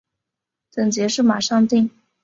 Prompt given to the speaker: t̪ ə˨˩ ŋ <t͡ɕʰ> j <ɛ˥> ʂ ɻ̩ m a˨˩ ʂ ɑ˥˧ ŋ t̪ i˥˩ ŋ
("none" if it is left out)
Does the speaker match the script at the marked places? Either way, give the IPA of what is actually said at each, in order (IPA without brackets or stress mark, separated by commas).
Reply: t͡ɕ, ɛ˧˥